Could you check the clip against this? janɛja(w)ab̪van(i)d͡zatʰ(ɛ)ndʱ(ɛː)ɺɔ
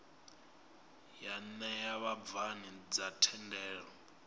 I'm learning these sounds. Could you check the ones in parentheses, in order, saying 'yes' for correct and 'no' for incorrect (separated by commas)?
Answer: no, yes, yes, yes